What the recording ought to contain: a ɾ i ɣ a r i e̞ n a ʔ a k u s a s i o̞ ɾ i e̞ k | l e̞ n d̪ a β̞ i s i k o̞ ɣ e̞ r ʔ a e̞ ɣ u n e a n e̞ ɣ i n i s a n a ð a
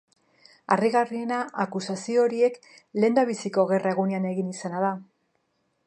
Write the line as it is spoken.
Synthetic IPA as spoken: a r i ɣ a r i e̞ n a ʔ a k u s a s i o̞ ɾ i e̞ k | l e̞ n d̪ a β̞ i s i k o̞ ɣ e̞ r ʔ a e̞ ɣ u n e a n e̞ ɣ i n i s a n a ð a